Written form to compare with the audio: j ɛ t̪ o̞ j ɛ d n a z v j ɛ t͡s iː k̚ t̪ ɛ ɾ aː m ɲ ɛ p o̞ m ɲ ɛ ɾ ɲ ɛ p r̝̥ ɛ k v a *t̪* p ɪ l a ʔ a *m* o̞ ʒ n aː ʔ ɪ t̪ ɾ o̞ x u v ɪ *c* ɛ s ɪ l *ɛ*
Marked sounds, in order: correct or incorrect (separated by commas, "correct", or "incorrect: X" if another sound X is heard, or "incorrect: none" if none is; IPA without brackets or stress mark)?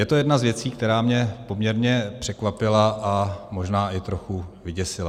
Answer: incorrect: none, correct, incorrect: ɟ, incorrect: a